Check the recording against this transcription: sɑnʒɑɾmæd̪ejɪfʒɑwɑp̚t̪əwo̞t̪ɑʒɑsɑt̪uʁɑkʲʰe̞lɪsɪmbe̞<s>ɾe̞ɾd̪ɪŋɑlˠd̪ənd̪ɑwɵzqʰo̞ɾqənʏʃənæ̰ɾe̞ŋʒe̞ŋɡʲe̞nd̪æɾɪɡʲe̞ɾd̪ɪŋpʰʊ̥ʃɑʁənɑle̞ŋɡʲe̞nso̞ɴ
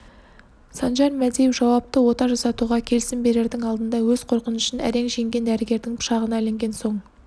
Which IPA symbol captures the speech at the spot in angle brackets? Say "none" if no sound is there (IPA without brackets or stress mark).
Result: none